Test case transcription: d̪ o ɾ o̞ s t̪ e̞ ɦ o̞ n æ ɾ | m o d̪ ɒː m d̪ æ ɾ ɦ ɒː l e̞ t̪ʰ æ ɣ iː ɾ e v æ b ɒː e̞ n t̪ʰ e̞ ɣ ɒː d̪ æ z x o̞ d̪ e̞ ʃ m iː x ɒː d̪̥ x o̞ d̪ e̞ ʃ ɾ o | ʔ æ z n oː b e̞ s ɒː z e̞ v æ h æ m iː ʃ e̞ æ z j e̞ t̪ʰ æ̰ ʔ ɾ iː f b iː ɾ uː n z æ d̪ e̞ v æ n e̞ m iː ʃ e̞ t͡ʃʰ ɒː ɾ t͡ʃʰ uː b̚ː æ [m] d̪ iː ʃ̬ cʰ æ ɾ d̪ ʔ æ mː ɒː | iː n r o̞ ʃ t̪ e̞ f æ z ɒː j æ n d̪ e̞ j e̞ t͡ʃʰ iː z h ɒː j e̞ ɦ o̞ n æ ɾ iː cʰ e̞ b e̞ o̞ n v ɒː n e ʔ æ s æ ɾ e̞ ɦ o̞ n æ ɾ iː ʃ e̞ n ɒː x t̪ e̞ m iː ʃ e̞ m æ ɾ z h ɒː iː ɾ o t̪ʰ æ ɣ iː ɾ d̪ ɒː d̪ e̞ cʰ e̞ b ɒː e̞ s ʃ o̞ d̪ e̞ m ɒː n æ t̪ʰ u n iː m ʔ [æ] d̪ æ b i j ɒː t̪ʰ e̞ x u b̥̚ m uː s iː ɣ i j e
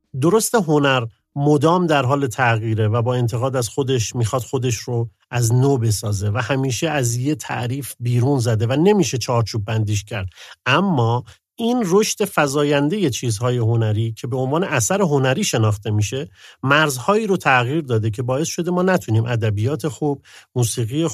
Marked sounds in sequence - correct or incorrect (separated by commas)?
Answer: incorrect, correct